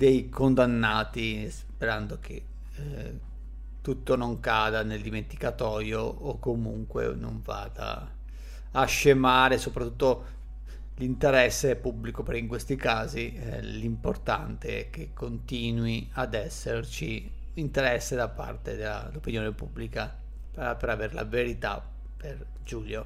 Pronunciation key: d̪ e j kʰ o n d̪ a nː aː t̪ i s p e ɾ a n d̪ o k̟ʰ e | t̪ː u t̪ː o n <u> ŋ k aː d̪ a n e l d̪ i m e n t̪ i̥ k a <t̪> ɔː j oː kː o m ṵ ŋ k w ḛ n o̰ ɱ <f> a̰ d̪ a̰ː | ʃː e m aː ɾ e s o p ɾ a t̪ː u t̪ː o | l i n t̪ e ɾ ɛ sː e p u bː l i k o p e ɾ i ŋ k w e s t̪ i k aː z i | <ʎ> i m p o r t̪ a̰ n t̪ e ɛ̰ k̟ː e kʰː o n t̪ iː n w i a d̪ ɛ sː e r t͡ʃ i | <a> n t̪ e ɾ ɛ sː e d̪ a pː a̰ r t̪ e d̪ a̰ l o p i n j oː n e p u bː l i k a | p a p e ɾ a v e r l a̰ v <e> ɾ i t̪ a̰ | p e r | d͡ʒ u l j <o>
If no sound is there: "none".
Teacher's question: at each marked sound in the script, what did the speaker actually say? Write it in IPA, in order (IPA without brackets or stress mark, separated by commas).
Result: o, t̪, v, l, i, e, o